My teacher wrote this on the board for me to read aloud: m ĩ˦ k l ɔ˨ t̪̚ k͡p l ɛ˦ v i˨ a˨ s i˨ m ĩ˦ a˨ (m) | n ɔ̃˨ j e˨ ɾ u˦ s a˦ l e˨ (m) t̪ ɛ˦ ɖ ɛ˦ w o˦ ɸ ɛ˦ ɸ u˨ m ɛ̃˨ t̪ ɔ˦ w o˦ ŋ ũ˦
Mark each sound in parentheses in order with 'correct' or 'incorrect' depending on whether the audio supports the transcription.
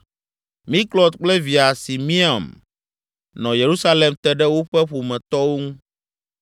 correct, correct

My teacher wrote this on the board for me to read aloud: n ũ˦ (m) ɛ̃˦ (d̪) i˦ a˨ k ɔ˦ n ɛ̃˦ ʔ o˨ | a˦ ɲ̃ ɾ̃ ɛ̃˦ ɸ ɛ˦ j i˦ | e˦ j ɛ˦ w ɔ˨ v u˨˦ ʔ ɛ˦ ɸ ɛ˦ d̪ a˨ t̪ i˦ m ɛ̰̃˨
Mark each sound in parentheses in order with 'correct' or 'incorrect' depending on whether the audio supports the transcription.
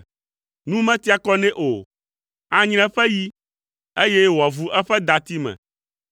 correct, incorrect

